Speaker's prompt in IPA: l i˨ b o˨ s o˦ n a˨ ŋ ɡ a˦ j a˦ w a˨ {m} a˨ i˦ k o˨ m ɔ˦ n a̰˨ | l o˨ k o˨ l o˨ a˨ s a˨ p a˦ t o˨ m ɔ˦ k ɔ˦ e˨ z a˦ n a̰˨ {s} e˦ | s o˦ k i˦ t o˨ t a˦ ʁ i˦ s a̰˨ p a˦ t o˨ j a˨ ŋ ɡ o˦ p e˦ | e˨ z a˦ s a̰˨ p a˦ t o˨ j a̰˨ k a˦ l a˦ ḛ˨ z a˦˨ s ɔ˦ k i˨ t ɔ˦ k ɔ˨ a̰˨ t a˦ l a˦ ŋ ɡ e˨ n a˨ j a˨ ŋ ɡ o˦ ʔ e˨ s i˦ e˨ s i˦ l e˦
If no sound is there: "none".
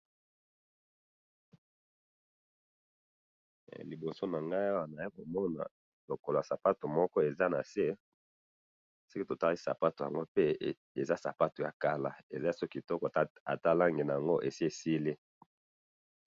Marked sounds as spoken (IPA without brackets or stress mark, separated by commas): n, s